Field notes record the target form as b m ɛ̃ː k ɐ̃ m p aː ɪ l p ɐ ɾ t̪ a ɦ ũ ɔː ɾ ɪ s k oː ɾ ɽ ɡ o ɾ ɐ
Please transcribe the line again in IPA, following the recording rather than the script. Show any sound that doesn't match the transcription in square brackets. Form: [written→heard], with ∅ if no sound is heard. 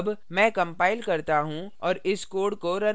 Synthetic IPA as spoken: b m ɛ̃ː k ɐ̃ m p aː ɪ l [p→k] ɐ ɾ t̪ a ɦ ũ ɔː ɾ ɪ s k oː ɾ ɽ [ɡ→k] o ɾ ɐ